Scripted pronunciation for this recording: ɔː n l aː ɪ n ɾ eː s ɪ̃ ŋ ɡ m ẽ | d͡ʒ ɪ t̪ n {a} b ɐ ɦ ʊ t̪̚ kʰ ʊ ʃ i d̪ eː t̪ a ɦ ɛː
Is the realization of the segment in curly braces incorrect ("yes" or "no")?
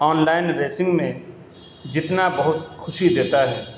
no